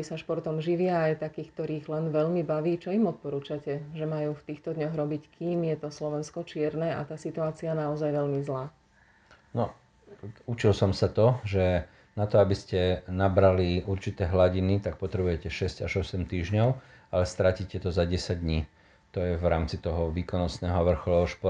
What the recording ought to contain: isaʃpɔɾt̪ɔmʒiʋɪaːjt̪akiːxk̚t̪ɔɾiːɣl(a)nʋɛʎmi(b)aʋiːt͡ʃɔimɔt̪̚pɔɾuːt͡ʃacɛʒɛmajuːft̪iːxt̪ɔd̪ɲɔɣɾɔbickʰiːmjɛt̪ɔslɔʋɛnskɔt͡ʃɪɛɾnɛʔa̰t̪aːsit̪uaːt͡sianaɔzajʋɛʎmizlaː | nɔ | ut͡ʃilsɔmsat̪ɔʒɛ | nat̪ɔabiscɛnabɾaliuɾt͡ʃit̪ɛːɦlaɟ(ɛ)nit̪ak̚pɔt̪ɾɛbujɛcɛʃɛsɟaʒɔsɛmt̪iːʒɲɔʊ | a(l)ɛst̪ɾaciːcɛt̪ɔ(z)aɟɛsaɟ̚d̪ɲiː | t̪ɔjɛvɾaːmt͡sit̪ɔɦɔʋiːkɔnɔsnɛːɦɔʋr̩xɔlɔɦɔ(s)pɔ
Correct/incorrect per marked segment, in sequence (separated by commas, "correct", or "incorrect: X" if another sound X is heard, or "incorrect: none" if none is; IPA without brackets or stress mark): incorrect: ɛ, correct, incorrect: i, correct, correct, incorrect: ʃ